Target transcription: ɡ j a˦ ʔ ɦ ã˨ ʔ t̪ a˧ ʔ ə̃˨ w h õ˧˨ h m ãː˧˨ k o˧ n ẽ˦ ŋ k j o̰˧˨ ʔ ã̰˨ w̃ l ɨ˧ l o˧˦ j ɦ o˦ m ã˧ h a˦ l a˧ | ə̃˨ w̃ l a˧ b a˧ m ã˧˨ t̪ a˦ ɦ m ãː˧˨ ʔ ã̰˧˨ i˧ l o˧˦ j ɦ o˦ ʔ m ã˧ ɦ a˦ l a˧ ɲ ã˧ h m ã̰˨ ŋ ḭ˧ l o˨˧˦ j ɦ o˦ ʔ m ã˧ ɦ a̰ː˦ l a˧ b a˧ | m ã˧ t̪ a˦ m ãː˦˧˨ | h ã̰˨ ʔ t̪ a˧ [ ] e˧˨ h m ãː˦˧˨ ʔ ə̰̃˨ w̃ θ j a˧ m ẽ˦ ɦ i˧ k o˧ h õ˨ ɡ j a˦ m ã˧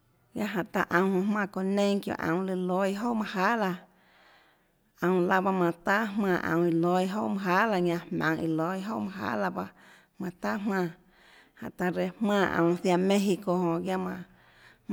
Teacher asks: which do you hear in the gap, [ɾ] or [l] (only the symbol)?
ɾ